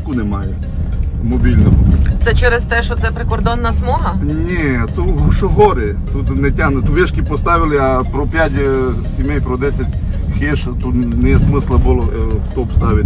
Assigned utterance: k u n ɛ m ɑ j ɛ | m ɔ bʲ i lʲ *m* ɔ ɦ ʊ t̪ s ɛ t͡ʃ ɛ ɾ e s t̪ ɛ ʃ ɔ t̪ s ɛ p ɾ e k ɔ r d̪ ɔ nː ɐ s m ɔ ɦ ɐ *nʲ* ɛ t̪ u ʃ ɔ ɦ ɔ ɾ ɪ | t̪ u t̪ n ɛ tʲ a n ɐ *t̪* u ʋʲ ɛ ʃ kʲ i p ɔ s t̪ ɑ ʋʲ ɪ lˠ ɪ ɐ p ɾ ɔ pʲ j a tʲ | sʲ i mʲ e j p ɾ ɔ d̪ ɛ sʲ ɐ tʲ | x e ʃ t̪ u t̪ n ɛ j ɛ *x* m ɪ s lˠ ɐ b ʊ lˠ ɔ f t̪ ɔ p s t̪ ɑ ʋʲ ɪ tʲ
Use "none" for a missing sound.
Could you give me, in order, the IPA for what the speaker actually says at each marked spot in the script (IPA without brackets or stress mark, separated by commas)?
n, nʲ, t̪, s